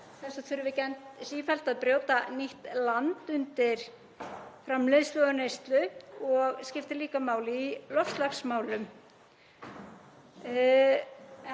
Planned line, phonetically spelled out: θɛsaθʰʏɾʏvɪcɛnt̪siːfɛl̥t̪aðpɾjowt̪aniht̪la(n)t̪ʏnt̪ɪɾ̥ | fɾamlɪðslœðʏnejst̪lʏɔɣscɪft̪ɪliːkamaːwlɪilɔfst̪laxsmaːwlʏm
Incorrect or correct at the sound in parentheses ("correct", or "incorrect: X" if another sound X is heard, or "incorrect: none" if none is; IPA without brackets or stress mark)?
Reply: correct